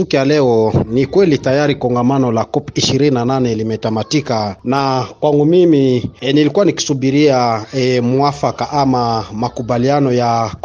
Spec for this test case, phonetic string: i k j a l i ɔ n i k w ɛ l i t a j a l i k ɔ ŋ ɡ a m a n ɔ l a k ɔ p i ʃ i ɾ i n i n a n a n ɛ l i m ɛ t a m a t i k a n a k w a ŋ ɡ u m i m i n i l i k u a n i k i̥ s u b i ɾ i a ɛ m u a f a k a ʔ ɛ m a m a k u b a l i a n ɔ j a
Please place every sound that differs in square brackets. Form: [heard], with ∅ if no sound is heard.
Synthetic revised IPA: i k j a l [ɛ] ɔ n i k w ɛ l i t a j a [ɾ] i k ɔ ŋ ɡ a m a n ɔ l a k ɔ p i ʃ i ɾ i n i n a n a n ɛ l i m ɛ t a m a t i k a n a k w a ŋ ɡ u m i m i n i l i k u a n i k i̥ s u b i ɾ i a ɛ m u a f a k a ʔ [a] m a m a k u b a l i a n ɔ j a